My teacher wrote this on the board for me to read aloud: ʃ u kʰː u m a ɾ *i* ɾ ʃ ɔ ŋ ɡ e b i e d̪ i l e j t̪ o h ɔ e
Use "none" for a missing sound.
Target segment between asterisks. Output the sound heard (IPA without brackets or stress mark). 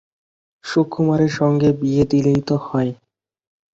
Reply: e